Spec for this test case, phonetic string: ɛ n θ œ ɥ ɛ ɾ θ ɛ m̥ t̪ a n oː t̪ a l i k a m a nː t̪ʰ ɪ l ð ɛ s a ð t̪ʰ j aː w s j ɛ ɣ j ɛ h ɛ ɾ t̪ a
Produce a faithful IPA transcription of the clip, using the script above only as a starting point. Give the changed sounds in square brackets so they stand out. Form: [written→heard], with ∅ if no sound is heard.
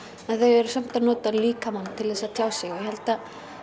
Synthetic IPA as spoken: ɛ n θ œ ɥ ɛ ɾ [θ→s] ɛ m̥ t̪ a n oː t̪ a l [i→iː] k a m a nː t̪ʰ ɪ l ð ɛ s a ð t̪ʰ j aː w s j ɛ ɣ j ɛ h ɛ [ɾ→l] t̪ a